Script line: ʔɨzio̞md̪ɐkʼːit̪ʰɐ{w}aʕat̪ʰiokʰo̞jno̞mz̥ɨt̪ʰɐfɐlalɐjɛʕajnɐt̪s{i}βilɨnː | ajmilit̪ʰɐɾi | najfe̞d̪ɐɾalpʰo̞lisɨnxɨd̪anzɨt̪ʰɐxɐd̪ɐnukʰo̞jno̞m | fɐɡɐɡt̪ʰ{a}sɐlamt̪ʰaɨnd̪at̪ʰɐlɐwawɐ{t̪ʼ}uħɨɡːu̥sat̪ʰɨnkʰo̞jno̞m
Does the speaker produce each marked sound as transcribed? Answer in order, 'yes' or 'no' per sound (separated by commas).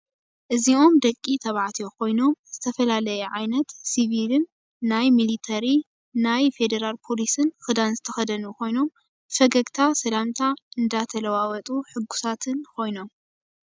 no, yes, yes, yes